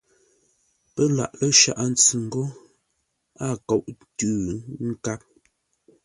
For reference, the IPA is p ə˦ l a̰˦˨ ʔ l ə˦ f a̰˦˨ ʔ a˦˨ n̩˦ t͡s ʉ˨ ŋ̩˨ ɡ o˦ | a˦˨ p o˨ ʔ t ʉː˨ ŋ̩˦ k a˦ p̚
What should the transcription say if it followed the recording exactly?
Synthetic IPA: p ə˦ l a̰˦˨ ʔ l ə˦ ʃ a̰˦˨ ʔ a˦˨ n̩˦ t͡s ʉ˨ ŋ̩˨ ɡ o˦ | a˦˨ k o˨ ʔ t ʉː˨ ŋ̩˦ k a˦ p̚